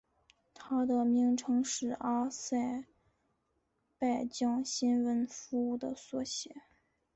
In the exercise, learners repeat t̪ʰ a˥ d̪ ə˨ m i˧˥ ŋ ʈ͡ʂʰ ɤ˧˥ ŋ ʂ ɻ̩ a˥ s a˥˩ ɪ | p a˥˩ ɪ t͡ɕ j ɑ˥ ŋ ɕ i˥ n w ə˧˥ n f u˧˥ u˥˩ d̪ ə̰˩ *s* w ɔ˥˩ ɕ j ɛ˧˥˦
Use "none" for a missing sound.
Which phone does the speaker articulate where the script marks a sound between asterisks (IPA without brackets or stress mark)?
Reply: s